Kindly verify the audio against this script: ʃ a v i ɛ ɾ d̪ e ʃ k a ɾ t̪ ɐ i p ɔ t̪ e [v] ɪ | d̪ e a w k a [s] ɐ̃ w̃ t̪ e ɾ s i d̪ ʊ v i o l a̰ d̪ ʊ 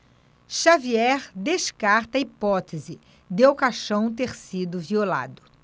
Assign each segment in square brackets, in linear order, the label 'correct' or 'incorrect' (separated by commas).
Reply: incorrect, incorrect